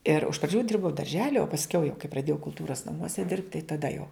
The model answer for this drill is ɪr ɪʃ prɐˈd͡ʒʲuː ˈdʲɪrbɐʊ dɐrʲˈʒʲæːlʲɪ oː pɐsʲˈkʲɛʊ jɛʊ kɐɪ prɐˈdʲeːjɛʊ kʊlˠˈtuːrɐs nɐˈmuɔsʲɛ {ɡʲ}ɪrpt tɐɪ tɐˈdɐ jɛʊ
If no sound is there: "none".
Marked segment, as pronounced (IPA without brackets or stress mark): dʲ